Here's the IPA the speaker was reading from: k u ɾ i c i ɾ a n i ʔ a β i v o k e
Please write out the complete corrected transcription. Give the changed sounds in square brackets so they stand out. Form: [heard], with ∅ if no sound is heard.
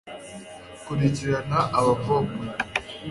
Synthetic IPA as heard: k u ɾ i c i ɾ a n [a] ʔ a β [a] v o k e